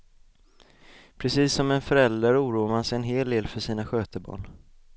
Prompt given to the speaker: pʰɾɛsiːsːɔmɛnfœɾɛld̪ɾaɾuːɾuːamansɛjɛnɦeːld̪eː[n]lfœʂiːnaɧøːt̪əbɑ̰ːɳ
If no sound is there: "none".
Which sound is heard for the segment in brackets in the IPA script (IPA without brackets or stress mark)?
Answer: none